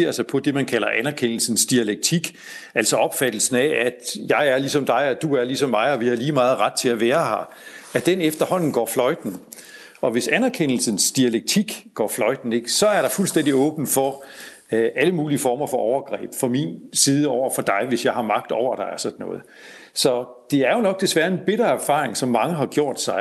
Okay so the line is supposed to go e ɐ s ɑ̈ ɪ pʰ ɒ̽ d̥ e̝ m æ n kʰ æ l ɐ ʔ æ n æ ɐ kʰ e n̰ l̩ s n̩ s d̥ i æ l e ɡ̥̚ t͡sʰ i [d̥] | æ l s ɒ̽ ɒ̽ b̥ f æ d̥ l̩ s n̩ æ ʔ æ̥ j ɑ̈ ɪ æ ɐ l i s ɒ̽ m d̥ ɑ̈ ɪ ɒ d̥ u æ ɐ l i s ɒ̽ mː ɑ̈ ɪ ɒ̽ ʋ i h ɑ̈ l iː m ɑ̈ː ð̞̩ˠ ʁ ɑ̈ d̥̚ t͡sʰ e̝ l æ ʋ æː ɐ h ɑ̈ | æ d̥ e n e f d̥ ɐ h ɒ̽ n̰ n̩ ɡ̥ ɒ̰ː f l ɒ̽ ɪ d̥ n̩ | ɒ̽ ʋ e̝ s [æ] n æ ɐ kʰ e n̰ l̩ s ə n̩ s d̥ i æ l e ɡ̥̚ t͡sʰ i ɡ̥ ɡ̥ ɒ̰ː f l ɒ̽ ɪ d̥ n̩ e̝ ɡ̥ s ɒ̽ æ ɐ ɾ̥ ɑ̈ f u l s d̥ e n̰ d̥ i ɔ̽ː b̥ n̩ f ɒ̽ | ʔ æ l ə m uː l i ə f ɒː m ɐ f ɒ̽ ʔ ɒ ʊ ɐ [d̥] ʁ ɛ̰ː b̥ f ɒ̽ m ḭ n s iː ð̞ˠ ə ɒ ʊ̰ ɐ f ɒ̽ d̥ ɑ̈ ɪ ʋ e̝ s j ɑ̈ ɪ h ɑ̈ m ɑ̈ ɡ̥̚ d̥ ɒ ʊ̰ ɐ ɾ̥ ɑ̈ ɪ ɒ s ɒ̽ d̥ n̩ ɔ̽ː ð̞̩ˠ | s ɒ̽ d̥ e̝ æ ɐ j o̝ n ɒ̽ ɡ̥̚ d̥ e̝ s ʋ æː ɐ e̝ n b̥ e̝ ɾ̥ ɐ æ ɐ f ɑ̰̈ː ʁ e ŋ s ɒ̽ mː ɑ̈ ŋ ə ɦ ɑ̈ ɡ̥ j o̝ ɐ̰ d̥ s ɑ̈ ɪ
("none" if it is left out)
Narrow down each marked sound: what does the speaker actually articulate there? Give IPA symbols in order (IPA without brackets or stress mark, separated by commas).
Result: ɡ̥, æ, ɡ̥